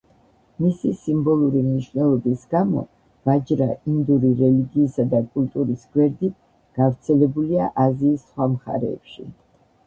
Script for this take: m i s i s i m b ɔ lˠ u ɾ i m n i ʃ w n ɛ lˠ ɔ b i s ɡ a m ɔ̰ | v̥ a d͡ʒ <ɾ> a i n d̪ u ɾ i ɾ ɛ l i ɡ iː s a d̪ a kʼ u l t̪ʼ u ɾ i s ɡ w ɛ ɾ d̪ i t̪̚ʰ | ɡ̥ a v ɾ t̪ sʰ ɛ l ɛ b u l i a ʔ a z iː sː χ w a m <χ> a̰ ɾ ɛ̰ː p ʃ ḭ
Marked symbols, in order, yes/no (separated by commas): yes, yes